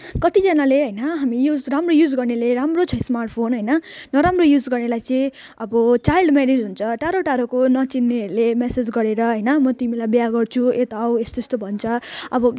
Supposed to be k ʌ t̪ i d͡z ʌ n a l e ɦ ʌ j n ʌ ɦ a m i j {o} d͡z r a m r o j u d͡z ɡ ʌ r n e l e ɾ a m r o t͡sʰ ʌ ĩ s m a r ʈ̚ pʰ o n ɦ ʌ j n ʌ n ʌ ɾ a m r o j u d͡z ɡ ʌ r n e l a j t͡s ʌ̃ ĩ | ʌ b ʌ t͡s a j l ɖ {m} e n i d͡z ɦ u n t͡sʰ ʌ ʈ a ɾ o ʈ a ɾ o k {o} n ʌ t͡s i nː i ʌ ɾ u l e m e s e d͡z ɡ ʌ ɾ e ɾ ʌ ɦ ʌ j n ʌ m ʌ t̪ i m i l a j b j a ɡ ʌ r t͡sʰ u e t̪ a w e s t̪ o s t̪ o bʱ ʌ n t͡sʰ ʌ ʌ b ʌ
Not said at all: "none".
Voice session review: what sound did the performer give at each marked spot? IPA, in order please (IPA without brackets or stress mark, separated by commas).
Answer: u, m, o